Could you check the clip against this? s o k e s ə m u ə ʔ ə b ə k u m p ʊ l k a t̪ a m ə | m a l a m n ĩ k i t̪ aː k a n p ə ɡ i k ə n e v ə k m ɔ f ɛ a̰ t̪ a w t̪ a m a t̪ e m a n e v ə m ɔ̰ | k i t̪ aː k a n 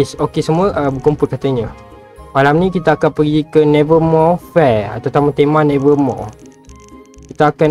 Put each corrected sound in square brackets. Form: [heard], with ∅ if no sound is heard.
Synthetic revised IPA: s o k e s ə m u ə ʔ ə b ə k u m p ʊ l k a t̪ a [ɲ] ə | m a l a m n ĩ k i t̪ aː k a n p ə ɡ i k ə n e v ə [∅] m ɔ f ɛ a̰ t̪ a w t̪ a m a t̪ e m a n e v ə m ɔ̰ | k i t̪ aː k a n

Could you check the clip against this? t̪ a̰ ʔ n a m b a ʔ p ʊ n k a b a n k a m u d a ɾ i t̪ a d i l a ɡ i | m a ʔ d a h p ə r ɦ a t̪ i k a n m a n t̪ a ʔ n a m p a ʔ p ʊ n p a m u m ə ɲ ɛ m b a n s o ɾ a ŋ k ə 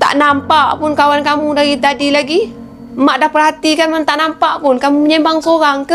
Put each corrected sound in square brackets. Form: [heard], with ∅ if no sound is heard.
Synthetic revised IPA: t̪ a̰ ʔ n a m [p] a ʔ p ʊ n k a [w] a n k a m u d a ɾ i t̪ a d i l a ɡ i | m a ʔ d a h p ə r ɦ a t̪ i k a n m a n t̪ a ʔ n a m p a ʔ p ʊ n [k] a m u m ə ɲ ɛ m b a [ŋ] s o ɾ a ŋ k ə

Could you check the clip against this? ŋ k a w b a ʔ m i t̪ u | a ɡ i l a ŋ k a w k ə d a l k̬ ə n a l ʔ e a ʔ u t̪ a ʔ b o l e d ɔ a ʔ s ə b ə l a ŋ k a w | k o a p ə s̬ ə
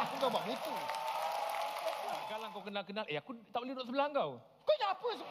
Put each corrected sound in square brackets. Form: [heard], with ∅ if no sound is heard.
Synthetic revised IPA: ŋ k a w b a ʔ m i t̪ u | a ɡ [a] l a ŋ k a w k ə [n] a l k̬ ə n a l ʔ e a [k] u t̪ a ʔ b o l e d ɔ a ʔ s ə b ə l a ŋ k a w | k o a p ə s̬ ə

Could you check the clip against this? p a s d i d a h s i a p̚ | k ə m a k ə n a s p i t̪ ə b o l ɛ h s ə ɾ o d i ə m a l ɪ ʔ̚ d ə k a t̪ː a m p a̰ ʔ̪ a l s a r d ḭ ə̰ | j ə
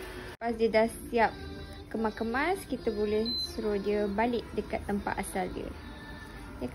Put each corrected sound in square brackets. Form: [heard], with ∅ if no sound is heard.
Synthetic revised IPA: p a s d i d a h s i a p̚ | k ə m a k ə [m] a s [k] i t̪ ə b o l ɛ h s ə ɾ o d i ə [b] a l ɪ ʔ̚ d ə k a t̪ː [ə] m p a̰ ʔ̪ a [∅] s a [l] d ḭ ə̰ | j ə

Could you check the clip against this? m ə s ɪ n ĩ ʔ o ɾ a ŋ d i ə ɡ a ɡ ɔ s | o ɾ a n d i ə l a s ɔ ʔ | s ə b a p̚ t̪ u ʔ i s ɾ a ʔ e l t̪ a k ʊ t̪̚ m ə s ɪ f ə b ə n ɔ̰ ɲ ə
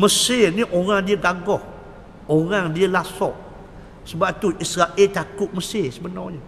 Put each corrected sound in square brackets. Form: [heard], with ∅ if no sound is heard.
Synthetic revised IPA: m ə s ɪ n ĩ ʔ o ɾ a ŋ d i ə ɡ a ɡ ɔ [h] | o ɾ a [ŋ] d i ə l a s ɔ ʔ | s ə b a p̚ t̪ u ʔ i s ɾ a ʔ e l t̪ a k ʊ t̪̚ m ə s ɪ [s] ə b ə n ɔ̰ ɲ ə

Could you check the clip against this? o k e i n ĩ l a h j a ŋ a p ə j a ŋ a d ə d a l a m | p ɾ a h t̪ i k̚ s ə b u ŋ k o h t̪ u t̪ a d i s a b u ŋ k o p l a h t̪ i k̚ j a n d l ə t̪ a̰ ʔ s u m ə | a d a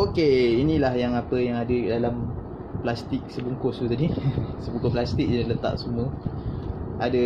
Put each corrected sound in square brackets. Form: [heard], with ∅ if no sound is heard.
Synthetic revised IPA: o k e i n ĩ l a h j a ŋ a p ə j a ŋ a d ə d a l a m | p [l] a [s] t̪ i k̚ s ə b u ŋ k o [s] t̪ u t̪ a d i s [ə] b u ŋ k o p l a [s] t̪ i k̚ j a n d l ə t̪ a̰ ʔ s u m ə | a d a

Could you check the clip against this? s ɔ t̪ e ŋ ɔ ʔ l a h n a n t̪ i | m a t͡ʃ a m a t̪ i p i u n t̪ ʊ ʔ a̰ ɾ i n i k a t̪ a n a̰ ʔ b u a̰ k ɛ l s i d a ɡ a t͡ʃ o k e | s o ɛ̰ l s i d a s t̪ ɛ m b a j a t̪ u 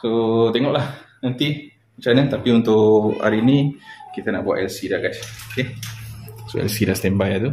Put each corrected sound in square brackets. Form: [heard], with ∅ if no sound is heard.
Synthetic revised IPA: s [o] t̪ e ŋ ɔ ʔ l a h n a n t̪ i | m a t͡ʃ a [n] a t̪ [a] p i u n t̪ ʊ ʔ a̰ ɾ i n i k [i] t̪ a n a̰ ʔ b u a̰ [ʔ] ɛ l s i d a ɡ a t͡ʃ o k e | s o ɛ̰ l s i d a s t̪ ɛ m b a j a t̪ u

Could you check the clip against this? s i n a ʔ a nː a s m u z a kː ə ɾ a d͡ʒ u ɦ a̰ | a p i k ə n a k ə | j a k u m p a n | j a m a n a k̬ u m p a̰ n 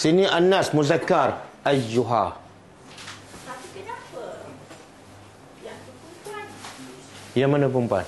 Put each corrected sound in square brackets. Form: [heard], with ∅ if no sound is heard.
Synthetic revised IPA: s i n [i] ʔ a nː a s m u z a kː [a] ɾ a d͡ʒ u ɦ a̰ | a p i k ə n a [p] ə | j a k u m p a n | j a m a n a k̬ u m p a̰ n

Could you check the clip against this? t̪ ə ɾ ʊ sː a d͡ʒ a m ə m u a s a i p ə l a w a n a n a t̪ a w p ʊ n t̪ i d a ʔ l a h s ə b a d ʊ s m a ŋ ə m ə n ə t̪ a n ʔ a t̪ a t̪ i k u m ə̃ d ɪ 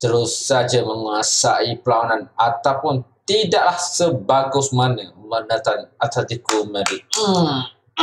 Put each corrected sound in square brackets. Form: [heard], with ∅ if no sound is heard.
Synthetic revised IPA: t̪ ə ɾ ʊ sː a d͡ʒ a m ə [ŋ] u a s a i p ə l a w a n a n a t̪ a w p ʊ n t̪ i d a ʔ l a h s ə b a [ɡ] ʊ s m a [n] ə m ə n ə t̪ a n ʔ a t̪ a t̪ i k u m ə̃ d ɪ

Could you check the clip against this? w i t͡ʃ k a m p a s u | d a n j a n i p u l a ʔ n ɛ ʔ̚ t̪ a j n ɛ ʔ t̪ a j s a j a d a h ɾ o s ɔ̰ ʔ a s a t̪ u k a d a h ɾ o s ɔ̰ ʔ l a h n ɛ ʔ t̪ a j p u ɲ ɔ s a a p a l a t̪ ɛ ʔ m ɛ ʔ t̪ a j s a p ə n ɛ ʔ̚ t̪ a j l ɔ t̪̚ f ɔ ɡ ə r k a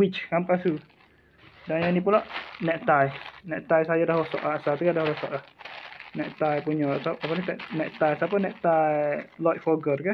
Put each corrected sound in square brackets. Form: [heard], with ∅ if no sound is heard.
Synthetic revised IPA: w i t͡ʃ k a m p a s u | d a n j a n i p u l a ʔ n ɛ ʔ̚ t̪ a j n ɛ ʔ t̪ a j s a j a d a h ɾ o s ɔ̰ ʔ a s a t̪ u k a d a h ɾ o s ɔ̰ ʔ l a h n ɛ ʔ t̪ a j p u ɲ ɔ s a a p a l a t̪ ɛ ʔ [n] ɛ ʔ t̪ a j s a p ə n ɛ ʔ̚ t̪ a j l ɔ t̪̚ f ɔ ɡ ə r k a

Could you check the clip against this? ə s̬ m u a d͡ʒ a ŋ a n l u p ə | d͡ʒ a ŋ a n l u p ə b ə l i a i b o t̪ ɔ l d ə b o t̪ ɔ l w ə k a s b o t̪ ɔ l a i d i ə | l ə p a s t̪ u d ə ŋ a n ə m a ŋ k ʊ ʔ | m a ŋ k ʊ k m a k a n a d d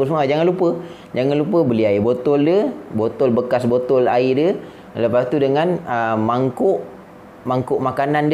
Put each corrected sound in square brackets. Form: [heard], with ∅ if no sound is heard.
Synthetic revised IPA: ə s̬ m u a d͡ʒ a ŋ a n l u p ə | d͡ʒ a ŋ a n l u p ə b ə l i a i b o t̪ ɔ l d ə b o t̪ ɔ l [b] ə k a s b o t̪ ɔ l a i d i ə | l ə p a s t̪ u d ə ŋ a n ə m a ŋ k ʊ ʔ | m a ŋ k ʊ [ʔ] m a k a n a [n] d

